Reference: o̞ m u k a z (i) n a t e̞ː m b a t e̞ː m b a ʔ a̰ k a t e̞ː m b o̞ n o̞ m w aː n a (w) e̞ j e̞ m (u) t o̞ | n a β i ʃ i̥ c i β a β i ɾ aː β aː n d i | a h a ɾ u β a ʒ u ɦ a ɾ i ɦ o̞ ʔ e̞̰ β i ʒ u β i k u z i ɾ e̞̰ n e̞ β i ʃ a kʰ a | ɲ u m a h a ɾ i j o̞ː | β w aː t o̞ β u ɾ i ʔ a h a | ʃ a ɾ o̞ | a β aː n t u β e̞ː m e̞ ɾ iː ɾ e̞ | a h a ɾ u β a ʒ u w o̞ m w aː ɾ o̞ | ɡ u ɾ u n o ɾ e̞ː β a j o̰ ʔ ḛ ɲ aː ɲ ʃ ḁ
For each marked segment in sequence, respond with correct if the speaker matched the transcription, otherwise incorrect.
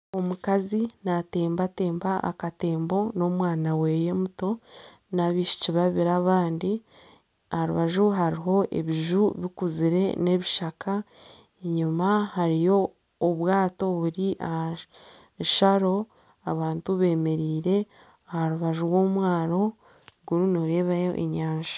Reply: correct, correct, correct

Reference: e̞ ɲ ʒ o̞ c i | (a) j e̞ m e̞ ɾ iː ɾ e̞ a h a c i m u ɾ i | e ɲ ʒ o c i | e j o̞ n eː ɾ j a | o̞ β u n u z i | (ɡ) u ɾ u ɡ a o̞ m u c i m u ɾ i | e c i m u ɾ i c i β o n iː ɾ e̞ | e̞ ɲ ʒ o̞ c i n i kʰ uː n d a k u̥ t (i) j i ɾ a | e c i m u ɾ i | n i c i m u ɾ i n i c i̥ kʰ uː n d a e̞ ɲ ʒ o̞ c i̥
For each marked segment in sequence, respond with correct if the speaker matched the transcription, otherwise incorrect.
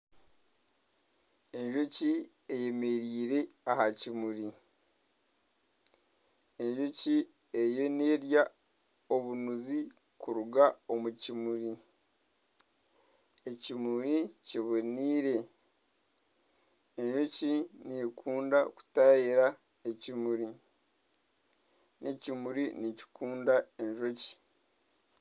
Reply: incorrect: e, incorrect: k, incorrect: a

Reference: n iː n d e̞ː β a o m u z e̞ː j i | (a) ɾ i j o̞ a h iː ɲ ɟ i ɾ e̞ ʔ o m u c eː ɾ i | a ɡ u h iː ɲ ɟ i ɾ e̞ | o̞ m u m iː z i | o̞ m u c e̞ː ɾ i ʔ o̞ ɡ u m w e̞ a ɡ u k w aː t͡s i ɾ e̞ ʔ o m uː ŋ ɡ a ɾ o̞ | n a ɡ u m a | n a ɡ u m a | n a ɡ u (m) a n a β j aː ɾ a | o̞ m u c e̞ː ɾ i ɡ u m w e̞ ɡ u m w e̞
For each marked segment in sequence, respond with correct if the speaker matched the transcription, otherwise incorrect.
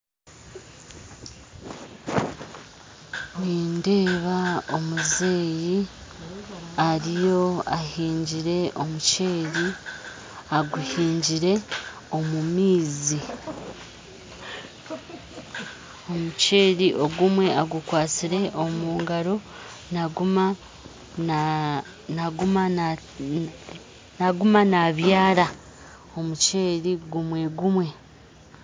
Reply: correct, correct

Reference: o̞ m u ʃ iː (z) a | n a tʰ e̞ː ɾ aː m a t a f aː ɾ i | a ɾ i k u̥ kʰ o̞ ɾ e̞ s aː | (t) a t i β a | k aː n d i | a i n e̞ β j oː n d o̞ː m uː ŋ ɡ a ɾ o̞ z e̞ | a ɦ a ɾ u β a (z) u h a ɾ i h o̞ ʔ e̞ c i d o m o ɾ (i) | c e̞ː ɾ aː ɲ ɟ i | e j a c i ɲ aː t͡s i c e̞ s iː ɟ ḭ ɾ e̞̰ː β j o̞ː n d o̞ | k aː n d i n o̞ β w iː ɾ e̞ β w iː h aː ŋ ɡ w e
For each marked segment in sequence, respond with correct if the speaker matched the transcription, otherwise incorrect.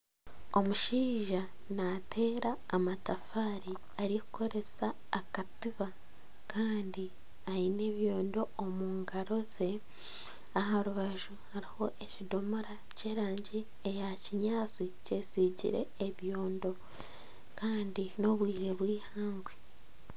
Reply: incorrect: ʒ, incorrect: k, incorrect: ʒ, incorrect: a

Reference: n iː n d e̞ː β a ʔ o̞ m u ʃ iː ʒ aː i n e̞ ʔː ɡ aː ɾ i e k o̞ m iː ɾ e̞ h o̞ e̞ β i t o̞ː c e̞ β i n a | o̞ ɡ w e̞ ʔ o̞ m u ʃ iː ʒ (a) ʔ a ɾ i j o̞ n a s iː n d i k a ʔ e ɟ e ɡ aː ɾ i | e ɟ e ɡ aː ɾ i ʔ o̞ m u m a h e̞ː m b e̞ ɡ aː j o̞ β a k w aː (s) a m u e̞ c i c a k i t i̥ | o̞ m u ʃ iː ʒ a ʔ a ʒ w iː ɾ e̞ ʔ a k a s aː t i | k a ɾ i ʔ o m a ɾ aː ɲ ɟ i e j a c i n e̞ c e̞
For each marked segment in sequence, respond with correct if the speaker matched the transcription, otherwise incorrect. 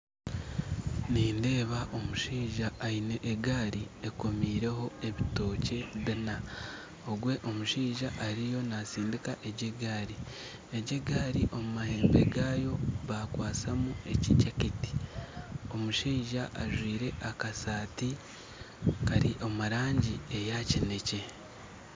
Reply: correct, correct

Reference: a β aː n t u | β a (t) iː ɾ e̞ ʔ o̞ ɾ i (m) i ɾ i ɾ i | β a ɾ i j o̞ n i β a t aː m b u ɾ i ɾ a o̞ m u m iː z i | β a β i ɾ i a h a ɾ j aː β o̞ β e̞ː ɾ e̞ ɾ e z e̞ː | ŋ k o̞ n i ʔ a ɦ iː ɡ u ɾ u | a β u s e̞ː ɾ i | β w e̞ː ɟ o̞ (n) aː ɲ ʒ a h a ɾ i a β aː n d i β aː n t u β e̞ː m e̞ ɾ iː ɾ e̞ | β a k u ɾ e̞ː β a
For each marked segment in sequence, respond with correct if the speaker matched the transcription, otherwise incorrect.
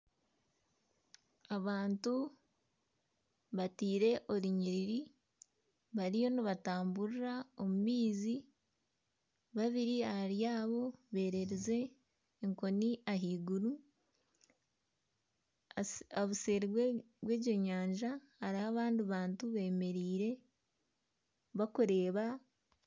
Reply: correct, incorrect: ɲ, incorrect: ɲ

